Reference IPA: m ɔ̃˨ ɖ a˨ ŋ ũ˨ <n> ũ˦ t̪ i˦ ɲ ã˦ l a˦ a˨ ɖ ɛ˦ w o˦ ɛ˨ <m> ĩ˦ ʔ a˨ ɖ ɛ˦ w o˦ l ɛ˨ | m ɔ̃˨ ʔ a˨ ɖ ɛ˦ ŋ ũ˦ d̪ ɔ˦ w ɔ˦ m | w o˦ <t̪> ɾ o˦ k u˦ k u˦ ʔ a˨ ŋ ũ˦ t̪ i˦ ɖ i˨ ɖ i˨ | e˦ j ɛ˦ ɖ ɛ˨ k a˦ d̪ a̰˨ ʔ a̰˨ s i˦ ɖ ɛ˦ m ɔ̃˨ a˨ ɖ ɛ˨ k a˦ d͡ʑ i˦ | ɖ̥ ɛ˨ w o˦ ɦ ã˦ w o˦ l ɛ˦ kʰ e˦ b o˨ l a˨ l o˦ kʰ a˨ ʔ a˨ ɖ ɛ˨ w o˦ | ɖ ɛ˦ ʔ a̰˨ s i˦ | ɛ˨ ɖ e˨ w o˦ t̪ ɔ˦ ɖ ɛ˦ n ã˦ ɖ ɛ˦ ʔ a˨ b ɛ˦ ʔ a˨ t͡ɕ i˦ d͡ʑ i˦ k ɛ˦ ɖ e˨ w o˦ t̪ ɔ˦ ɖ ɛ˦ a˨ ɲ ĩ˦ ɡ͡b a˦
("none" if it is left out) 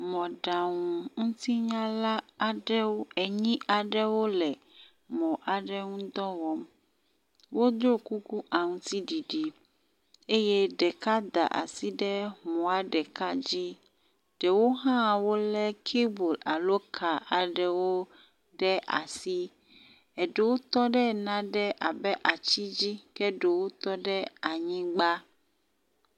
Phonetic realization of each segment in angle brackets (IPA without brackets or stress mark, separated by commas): ŋ, ɲ, d̪